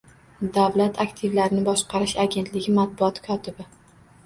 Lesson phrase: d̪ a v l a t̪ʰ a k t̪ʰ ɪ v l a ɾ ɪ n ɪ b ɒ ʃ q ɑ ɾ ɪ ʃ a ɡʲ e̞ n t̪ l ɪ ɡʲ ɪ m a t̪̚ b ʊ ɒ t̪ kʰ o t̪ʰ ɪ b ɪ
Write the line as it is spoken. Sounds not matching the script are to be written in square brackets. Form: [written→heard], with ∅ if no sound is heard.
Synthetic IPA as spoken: d̪ a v l a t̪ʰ a k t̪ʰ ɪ v l a ɾ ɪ n ɪ b ɒ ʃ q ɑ ɾ ɪ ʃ a ɡʲ e̞ n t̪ l ɪ ɡʲ ɪ m a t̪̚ b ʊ ɒ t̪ kʰ [o→ɒ] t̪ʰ ɪ b ɪ